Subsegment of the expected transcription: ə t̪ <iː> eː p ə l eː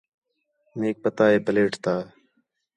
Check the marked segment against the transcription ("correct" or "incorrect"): incorrect